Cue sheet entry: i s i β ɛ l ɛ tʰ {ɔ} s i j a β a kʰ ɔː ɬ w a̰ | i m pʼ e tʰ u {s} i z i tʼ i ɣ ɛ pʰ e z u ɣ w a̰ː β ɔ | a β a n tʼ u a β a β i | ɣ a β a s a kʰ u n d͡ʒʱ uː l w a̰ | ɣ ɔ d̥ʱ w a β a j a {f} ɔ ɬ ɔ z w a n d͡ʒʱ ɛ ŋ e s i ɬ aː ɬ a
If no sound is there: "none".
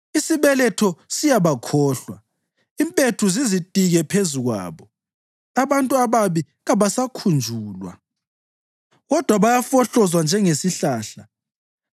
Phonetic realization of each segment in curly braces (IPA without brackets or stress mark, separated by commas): ɔ, z, f